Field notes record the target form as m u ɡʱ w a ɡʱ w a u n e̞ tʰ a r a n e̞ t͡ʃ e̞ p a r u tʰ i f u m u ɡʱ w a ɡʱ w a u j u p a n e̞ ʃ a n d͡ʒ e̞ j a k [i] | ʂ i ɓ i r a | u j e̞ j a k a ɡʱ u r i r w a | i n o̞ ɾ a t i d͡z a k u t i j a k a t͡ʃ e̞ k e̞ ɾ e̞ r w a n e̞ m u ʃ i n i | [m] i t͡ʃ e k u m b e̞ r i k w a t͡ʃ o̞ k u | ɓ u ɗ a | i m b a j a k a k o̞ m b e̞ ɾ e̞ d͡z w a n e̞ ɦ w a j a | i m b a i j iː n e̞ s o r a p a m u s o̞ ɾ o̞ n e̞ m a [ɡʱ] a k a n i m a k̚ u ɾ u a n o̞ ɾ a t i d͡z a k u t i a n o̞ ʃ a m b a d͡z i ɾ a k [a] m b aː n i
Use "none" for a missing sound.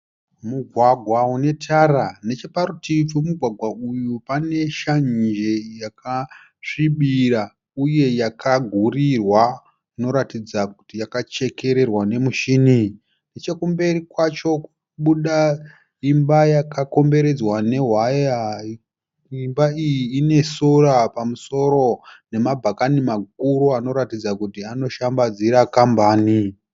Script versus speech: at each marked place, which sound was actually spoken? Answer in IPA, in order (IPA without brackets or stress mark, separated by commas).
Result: a, n, bʱ, a